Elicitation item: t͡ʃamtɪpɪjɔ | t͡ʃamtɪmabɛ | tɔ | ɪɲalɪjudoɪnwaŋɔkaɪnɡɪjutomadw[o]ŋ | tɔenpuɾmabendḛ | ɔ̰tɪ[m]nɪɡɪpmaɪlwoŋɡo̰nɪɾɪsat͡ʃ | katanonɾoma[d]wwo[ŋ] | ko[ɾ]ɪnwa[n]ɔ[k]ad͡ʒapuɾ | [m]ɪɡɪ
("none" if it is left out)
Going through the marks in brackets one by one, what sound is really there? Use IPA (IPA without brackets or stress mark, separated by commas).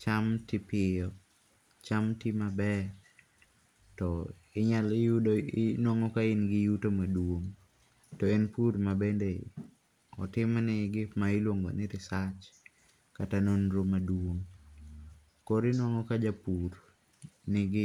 o, m, d, ŋ, ɾ, ŋ, k, n